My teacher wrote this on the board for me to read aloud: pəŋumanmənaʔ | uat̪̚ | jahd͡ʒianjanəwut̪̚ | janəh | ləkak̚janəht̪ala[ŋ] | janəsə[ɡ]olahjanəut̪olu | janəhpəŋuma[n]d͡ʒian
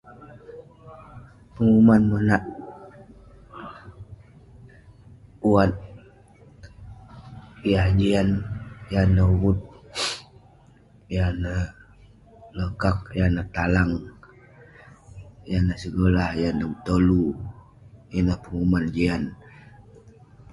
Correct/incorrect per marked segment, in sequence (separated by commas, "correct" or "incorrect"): correct, correct, correct